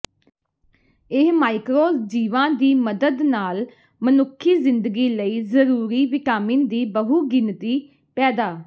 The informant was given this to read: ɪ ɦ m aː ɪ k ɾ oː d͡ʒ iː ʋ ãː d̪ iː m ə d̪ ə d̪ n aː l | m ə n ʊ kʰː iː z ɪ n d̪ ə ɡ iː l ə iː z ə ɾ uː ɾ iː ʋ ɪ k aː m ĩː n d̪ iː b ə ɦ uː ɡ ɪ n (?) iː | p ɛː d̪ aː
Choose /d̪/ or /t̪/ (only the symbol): t̪